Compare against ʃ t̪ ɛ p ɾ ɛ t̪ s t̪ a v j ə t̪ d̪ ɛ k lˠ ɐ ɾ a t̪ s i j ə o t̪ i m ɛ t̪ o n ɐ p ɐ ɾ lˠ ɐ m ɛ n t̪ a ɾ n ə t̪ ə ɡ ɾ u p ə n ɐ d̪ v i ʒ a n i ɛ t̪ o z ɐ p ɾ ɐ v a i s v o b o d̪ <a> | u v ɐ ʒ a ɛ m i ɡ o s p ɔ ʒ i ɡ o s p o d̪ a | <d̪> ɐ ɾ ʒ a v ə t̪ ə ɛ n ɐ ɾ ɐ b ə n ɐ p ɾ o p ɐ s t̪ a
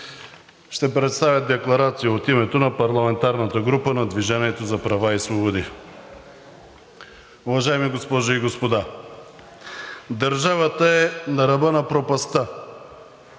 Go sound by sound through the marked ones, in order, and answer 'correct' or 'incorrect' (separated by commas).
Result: incorrect, correct